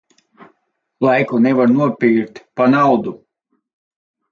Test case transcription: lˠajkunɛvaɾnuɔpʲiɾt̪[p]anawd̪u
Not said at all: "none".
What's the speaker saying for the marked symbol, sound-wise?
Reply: p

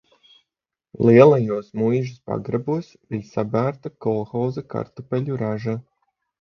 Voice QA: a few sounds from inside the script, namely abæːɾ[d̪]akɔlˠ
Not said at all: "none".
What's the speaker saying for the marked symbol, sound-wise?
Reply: t̪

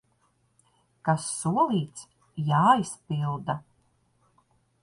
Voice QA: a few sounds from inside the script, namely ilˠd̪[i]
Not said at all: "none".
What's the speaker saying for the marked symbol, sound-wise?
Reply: a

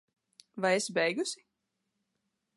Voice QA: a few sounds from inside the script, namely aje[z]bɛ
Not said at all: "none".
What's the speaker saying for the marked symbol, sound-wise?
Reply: s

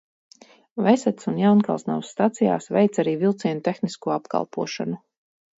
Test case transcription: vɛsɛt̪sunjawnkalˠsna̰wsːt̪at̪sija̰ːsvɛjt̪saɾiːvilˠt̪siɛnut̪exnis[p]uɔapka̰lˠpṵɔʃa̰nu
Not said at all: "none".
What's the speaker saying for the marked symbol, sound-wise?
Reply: k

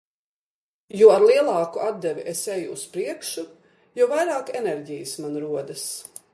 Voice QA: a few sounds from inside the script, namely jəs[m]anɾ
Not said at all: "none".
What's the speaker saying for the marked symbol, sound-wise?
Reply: m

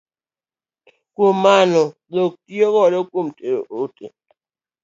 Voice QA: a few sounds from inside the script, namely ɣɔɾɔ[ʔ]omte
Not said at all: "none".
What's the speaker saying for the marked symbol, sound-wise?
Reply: k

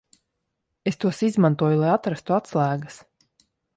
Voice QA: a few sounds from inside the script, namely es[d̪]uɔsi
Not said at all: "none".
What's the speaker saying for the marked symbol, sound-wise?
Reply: t̪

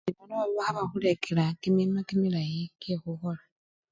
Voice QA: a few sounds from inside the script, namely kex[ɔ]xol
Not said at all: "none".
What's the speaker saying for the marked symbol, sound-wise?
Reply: u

